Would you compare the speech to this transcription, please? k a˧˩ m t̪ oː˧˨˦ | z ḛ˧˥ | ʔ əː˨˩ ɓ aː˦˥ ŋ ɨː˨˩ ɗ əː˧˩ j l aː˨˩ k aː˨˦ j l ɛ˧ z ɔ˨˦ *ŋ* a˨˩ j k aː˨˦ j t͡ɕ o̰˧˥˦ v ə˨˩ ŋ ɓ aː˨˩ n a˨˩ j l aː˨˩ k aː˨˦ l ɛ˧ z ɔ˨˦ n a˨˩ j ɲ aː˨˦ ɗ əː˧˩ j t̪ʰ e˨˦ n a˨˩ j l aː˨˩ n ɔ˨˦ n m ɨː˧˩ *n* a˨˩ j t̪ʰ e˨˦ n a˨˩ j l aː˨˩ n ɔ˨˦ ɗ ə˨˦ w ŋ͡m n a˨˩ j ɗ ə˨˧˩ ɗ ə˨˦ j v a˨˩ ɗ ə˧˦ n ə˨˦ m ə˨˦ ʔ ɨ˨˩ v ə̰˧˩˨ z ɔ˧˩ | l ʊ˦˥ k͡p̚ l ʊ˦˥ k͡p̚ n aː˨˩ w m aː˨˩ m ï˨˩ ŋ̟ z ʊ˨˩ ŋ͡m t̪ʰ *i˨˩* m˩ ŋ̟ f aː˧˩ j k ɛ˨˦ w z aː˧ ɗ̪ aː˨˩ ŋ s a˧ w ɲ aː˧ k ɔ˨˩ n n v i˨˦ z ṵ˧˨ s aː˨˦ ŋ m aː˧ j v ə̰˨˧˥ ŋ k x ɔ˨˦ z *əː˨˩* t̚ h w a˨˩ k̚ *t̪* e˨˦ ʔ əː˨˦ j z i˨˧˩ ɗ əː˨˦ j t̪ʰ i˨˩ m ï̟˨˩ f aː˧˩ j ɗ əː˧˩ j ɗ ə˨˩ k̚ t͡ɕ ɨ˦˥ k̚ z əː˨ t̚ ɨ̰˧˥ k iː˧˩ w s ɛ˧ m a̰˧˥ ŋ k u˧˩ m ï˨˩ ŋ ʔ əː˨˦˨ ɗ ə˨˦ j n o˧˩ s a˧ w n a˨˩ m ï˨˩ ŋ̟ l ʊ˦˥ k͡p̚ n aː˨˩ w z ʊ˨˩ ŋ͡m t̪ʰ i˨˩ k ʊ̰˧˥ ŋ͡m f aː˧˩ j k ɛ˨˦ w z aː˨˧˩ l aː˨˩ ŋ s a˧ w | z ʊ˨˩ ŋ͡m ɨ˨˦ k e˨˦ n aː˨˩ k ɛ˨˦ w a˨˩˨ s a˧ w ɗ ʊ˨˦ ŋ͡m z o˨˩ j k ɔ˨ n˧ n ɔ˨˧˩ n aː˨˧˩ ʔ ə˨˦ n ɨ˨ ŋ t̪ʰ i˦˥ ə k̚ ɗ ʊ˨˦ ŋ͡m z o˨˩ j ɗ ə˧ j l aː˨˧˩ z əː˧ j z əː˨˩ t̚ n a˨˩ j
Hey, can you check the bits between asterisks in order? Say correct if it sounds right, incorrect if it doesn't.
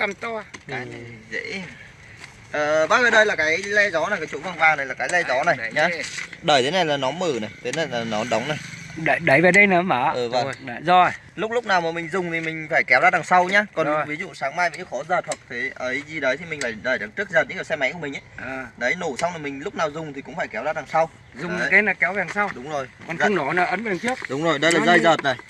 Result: incorrect: n, correct, correct, correct, incorrect: t̪ʰ

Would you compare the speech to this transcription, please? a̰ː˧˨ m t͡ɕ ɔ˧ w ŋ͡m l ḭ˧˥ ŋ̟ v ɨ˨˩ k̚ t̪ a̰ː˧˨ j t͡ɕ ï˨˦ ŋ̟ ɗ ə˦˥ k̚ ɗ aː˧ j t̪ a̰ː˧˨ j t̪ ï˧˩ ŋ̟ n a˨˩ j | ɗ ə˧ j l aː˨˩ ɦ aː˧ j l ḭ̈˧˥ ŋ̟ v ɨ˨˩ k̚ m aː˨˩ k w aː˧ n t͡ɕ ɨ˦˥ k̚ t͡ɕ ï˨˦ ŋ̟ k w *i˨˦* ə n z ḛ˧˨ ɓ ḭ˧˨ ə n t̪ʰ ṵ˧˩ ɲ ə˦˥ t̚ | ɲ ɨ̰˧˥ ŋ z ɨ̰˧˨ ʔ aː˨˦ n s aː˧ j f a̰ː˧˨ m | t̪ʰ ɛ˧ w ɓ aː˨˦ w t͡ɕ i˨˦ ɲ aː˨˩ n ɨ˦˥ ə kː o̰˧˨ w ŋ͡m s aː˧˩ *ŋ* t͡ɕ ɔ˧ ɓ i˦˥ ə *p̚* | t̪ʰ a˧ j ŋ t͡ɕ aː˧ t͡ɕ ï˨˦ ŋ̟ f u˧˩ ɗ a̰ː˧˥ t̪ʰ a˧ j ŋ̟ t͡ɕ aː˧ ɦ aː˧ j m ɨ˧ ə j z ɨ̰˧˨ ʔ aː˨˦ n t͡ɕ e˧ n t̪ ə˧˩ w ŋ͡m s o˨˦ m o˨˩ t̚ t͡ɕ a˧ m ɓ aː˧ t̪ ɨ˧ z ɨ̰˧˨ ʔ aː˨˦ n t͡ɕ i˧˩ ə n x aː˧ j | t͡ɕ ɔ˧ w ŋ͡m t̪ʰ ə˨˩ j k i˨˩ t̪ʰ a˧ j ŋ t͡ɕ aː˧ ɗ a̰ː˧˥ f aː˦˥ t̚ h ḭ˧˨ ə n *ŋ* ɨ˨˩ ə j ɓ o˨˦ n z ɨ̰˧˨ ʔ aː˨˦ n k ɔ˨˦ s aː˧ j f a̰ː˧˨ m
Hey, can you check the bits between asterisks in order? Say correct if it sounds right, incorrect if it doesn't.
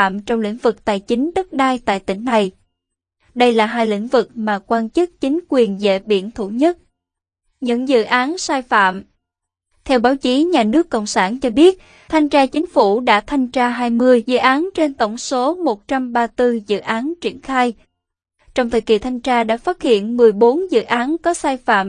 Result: incorrect: i˨˩, incorrect: n, incorrect: t̚, incorrect: m

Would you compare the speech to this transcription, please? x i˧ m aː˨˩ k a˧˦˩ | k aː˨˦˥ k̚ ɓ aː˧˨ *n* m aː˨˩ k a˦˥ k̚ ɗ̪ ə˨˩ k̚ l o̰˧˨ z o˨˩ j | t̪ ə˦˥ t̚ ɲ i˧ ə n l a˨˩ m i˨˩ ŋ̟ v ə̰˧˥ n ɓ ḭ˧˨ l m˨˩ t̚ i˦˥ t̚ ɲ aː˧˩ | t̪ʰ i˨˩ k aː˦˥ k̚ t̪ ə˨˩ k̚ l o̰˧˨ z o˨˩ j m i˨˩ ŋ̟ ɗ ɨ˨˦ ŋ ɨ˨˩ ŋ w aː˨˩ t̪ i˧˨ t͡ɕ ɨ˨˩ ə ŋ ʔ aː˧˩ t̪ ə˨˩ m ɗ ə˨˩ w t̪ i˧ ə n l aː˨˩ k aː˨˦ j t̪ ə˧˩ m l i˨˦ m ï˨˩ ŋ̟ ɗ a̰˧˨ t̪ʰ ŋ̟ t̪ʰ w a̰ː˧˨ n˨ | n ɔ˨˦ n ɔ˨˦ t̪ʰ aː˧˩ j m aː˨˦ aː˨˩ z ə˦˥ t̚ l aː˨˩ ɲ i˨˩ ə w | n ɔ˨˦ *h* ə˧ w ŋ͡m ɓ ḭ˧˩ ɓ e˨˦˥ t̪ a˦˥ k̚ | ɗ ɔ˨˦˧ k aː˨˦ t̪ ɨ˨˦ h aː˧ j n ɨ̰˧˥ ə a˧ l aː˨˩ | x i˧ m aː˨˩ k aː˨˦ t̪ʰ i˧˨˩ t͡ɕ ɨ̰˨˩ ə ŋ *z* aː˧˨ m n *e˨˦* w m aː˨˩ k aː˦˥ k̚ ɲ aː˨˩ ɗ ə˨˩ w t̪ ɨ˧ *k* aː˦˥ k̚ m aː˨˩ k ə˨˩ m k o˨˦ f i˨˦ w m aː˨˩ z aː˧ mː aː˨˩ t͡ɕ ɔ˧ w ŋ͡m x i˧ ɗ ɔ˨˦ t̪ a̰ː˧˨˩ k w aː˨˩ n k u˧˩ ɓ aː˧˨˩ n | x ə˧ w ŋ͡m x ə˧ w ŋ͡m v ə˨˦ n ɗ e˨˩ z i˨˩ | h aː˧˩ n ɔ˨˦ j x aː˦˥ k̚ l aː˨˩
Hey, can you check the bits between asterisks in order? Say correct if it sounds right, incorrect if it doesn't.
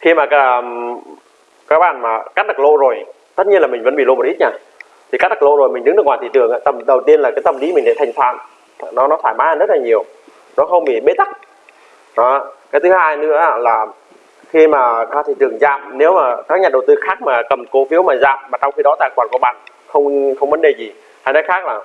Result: correct, incorrect: x, correct, correct, incorrect: x

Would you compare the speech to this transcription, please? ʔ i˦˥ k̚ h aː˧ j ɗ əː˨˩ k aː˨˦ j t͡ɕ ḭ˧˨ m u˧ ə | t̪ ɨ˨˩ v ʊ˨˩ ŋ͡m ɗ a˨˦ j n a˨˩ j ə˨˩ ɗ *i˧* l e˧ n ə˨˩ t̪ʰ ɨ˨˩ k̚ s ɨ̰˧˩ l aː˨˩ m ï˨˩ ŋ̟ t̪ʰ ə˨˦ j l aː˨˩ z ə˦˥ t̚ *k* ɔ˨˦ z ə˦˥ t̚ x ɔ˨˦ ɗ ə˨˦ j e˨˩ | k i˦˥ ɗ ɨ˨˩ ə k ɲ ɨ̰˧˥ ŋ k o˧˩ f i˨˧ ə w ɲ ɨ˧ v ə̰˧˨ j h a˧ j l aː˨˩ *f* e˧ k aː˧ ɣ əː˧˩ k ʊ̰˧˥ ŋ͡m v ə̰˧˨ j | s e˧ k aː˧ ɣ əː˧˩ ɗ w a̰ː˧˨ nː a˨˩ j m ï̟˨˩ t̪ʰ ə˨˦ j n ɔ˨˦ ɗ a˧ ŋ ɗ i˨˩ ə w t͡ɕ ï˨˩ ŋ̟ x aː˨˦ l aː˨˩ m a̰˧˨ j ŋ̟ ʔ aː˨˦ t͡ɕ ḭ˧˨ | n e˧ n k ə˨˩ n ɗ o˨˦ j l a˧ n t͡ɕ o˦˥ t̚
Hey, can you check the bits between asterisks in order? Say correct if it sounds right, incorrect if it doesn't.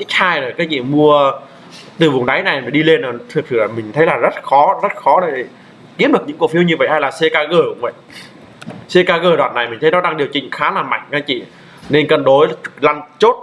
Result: correct, incorrect: x, incorrect: s

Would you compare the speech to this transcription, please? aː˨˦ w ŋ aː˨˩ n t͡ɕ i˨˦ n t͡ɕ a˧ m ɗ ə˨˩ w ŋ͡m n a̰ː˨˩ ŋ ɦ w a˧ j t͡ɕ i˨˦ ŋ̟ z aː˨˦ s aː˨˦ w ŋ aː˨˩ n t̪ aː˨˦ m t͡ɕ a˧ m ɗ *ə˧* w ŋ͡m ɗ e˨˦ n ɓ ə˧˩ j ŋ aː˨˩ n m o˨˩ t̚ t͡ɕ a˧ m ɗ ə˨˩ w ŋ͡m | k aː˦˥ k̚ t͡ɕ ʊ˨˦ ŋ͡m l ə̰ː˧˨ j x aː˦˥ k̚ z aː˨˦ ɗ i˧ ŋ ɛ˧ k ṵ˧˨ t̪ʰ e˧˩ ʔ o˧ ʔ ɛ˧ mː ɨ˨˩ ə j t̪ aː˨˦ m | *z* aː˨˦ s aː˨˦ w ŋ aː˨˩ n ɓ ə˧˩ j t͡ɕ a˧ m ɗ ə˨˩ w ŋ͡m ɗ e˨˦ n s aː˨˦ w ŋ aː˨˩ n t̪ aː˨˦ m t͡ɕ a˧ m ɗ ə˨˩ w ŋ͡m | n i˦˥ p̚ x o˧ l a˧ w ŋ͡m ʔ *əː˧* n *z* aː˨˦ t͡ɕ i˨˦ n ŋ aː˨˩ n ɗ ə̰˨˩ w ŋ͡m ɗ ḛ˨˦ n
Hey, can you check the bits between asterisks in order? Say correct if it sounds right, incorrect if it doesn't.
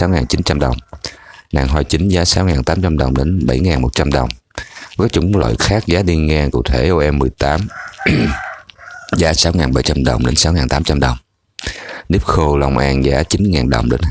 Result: incorrect: ə˨˩, correct, incorrect: aː˧, correct

